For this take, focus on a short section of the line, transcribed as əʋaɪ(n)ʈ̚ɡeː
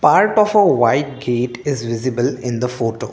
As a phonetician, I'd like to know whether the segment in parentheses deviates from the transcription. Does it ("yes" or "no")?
yes